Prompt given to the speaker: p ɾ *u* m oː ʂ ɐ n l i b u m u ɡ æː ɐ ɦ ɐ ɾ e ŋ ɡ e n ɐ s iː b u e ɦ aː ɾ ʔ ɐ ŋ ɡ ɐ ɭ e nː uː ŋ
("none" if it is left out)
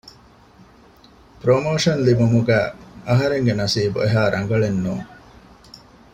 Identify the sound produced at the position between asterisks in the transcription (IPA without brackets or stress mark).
o